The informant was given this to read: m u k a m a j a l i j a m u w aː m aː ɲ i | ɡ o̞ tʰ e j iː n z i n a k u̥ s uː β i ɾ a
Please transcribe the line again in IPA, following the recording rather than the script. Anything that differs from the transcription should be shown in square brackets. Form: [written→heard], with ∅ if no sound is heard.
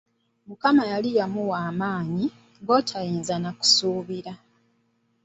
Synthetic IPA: m u k a m a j a l i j a m u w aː m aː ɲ i | ɡ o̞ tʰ [e→a] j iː n z [i→a] n a k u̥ s uː β i ɾ a